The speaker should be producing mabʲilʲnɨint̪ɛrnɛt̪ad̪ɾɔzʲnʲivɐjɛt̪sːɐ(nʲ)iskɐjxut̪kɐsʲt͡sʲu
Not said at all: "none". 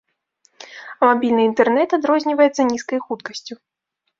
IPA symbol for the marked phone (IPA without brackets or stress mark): nʲ